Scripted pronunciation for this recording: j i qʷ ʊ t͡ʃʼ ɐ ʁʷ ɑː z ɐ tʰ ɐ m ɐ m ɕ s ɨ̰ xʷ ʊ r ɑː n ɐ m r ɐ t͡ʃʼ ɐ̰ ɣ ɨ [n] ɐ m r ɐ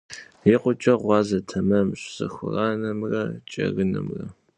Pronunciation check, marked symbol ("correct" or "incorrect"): correct